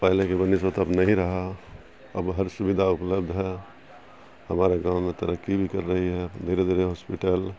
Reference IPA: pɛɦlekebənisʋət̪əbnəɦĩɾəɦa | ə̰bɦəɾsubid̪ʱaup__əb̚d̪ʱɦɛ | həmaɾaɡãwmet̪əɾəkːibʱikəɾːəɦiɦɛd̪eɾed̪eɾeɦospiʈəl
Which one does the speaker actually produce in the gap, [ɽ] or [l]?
l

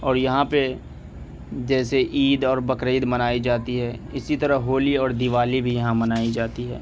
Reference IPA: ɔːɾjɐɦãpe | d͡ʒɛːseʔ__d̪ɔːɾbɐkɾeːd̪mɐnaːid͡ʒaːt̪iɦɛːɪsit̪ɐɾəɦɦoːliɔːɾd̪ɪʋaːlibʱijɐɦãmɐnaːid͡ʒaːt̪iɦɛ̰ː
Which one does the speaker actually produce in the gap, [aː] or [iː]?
iː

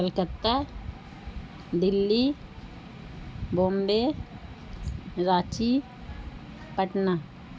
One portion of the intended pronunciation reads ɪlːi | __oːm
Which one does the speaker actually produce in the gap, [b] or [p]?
b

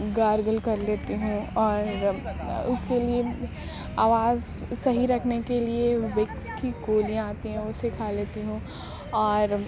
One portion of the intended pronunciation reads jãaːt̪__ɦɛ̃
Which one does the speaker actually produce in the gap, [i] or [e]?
i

